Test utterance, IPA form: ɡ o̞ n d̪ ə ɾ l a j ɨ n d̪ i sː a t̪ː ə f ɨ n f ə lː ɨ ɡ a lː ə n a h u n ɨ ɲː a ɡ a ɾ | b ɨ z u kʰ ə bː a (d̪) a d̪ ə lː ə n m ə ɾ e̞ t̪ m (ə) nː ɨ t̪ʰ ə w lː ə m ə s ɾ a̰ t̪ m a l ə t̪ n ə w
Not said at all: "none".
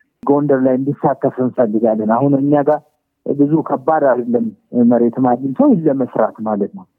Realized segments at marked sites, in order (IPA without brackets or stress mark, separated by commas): d̪, a